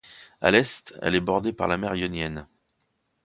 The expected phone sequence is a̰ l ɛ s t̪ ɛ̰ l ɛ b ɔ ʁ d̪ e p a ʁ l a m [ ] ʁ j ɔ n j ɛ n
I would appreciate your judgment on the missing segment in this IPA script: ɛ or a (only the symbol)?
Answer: ɛ